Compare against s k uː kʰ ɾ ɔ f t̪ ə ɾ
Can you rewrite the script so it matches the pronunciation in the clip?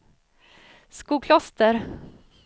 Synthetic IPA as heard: s k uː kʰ l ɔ s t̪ ə ɾ

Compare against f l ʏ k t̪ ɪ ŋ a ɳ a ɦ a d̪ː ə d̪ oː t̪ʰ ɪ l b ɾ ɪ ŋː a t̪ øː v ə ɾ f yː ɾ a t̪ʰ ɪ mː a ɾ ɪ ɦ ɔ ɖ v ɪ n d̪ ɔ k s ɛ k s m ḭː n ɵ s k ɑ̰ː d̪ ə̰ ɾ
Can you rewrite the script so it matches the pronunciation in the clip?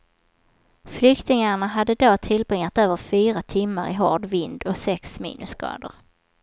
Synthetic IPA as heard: f l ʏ k t̪ ɪ ŋ a ɳ a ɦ a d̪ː ə d̪ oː t̪ʰ ɪ l b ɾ ɪ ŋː a t̪ øː v ə ɾ f yː ɾ a t̪ʰ ɪ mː a ɾ ɪ ɦ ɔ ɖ v ɪ n d̪ ɔ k s ɛ k s m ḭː n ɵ s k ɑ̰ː d̪ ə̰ ɾ

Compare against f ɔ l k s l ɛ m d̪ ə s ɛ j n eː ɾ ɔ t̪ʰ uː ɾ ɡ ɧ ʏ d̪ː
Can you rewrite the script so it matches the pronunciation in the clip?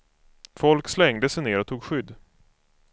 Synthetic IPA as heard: f ɔ l k s l ɛ ŋ d̪ ə s ɛ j n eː ɾ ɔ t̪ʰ uː ɡ ɧ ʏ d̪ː

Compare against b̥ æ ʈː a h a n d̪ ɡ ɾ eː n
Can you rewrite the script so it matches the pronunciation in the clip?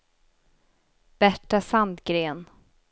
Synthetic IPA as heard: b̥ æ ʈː a s a n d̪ ɡ ɾ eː n

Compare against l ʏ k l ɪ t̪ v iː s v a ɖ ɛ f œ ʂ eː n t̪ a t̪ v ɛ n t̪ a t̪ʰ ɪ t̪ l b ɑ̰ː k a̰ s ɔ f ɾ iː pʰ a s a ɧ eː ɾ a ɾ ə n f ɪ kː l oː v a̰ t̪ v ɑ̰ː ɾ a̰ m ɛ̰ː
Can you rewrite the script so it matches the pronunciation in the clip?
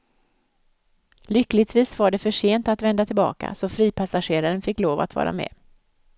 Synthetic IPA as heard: l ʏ k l ɪ t̪ v iː s v a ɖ ɛ f œ ʂ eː n t̪ a t̪ v ɛ n d̪ a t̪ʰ ɪ l b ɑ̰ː k a̰ s ɔ f ɾ iː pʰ a s a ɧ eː ɾ a ɾ ə n f ɪ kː l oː v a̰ t̪ v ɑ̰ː ɾ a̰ m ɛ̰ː

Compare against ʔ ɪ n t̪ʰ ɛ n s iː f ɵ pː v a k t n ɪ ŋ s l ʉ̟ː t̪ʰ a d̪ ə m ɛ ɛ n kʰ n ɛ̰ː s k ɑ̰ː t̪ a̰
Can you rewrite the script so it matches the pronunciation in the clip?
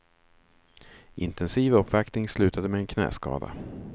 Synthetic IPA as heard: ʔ ɪ n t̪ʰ ɛ n s iː v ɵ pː v a k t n ɪ ŋ s l ʉ̟ː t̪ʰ a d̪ ə m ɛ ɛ n kʰ n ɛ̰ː s k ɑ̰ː d̪ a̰

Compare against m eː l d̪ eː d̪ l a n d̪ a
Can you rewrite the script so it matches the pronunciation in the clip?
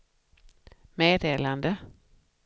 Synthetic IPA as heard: m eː d̪ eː l a n d̪ ə

